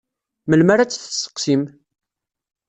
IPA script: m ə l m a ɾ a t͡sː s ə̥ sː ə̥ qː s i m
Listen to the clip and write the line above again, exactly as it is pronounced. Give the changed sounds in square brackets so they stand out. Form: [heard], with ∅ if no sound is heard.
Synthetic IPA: m ə l m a ɾ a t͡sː [θ] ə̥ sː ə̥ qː s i m